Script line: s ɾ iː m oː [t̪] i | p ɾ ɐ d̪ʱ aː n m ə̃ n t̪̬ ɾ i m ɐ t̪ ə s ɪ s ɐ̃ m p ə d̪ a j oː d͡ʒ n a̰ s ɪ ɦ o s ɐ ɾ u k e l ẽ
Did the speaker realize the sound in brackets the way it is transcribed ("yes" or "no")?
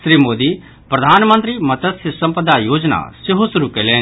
no